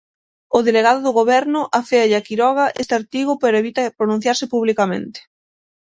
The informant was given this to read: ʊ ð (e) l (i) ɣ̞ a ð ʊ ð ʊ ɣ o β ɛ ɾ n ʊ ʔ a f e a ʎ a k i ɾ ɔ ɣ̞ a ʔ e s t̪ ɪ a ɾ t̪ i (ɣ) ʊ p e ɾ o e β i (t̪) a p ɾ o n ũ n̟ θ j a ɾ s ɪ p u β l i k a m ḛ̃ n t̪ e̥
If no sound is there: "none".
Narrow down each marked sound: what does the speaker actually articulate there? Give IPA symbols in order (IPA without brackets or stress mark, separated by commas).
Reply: e, e, ɣ, t̪